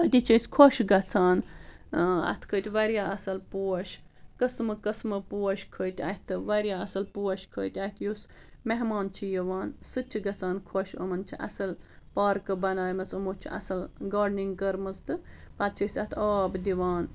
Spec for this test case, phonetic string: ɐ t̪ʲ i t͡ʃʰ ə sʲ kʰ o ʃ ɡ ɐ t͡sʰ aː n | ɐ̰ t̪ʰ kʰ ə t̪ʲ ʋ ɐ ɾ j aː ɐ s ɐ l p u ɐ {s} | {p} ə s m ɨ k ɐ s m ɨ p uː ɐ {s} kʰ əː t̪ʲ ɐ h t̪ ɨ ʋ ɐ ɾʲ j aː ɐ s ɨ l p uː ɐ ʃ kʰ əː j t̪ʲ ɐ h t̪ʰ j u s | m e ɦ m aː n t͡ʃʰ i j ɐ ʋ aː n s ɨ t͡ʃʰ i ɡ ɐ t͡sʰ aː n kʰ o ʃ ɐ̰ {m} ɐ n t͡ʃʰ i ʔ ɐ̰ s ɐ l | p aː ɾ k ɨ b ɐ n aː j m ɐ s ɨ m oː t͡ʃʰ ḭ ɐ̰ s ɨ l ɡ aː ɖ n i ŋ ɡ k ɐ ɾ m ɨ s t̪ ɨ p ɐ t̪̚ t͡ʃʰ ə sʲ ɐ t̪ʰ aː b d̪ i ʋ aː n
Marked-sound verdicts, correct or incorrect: incorrect: ʃ, incorrect: k, incorrect: ʃ, correct

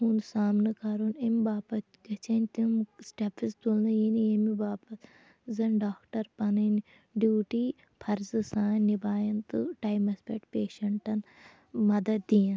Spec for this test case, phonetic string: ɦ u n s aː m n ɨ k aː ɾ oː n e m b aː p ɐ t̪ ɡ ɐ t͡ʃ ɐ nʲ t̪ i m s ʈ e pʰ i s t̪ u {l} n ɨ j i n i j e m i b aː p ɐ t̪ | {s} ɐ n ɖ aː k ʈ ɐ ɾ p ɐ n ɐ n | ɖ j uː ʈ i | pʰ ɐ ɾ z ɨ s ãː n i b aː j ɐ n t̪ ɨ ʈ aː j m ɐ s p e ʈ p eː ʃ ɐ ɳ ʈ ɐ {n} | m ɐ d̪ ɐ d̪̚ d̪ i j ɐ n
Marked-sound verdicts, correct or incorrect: correct, incorrect: z, correct

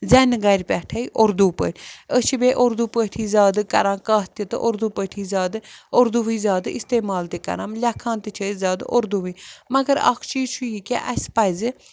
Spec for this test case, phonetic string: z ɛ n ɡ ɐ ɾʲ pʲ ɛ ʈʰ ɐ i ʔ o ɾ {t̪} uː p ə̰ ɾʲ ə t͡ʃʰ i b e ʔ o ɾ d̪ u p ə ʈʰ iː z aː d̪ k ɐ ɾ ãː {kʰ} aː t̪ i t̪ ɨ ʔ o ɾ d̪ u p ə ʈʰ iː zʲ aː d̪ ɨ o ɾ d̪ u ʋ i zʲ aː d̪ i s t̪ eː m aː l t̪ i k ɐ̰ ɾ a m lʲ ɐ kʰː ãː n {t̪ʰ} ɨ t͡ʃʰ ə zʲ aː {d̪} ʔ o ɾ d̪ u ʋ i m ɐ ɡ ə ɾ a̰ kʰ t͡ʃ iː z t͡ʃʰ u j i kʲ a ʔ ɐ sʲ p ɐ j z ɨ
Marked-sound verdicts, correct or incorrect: incorrect: d̪, incorrect: k, incorrect: t̪, correct

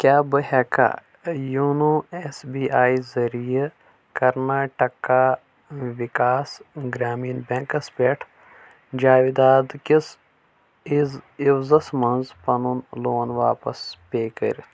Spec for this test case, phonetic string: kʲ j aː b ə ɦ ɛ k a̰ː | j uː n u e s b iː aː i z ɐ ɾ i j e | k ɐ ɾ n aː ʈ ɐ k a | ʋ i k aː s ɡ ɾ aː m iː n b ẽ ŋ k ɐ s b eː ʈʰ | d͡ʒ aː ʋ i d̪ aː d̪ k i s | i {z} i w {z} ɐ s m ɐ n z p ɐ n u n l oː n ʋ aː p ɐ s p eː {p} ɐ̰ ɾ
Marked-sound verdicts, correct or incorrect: correct, correct, incorrect: k

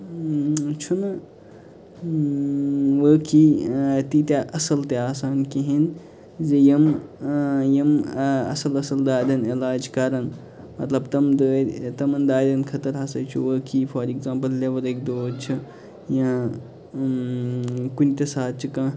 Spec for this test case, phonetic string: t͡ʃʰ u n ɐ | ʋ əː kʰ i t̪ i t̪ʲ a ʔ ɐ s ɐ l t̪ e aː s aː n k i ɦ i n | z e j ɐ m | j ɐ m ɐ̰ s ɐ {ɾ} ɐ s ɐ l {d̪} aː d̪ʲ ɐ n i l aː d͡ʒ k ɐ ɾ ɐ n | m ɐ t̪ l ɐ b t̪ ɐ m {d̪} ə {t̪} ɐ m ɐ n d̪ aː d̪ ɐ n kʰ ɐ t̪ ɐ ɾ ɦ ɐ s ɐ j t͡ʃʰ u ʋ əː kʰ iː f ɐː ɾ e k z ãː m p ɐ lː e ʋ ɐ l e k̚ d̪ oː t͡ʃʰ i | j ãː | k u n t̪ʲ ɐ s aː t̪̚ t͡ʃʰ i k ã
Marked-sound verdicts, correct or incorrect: incorrect: l, correct, correct, correct

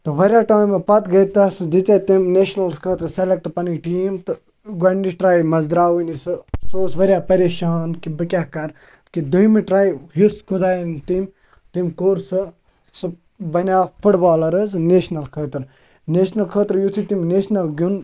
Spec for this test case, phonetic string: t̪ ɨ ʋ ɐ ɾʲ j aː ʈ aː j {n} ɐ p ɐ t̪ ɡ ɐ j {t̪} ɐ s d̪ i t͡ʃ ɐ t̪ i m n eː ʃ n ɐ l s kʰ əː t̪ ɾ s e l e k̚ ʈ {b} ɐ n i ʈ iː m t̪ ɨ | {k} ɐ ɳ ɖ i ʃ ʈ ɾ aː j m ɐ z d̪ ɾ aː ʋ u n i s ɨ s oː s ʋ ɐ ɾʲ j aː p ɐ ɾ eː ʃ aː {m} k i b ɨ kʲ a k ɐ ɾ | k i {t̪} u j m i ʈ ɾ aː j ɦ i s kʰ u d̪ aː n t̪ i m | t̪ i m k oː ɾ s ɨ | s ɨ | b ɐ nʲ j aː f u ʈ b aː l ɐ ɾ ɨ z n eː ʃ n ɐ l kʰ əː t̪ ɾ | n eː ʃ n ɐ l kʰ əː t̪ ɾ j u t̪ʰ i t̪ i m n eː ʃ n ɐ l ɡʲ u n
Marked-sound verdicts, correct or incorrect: incorrect: m, correct, incorrect: p, incorrect: ɡ, incorrect: n, incorrect: d̪

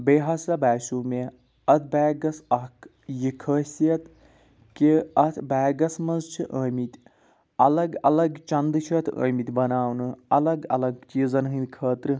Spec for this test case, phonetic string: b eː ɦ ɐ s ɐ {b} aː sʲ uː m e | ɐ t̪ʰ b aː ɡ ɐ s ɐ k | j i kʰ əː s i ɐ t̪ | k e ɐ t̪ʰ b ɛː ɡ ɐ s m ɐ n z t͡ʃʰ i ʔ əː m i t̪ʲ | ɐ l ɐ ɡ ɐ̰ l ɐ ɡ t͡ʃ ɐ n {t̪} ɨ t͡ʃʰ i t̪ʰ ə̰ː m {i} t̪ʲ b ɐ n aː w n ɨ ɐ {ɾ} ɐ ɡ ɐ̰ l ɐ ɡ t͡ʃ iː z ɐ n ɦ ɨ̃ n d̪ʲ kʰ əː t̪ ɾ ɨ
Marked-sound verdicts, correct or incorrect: correct, incorrect: d̪, correct, incorrect: l

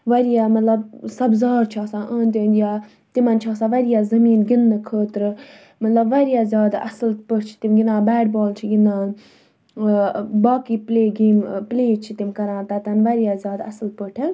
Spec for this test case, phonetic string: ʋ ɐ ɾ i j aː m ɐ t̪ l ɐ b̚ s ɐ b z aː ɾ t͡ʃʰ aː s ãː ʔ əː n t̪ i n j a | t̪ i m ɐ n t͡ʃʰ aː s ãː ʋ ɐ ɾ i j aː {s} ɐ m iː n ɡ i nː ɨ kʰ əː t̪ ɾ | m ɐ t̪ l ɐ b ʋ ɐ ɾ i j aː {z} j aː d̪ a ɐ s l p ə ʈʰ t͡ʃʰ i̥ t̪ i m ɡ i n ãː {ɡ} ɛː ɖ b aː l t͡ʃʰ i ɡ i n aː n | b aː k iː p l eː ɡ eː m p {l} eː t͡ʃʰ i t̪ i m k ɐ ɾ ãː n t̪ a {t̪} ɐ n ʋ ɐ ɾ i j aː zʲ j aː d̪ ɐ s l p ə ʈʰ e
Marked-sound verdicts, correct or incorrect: incorrect: z, correct, incorrect: b, correct, correct

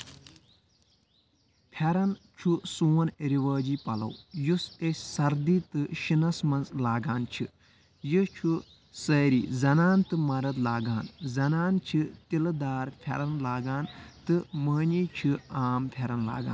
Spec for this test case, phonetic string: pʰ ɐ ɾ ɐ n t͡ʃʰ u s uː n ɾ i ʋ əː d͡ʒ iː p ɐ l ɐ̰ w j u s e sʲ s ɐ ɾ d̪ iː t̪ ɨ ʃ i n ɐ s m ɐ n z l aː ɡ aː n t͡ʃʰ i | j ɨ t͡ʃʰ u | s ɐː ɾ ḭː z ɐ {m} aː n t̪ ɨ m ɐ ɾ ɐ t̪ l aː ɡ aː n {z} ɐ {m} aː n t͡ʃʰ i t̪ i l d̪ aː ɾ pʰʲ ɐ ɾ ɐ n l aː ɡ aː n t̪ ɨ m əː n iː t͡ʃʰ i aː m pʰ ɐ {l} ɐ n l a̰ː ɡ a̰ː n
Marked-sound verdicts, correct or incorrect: incorrect: n, correct, incorrect: n, incorrect: ɾ

